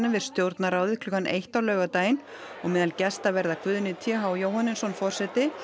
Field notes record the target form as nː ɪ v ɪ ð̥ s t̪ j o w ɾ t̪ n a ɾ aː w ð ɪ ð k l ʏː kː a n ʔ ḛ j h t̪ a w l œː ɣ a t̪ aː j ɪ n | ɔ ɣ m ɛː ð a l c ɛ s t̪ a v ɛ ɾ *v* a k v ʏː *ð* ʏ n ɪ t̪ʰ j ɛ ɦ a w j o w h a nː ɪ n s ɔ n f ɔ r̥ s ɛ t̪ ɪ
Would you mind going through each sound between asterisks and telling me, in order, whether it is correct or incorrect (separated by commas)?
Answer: incorrect, correct